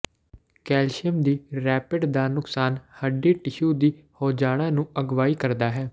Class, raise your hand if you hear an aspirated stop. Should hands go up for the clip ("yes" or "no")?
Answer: no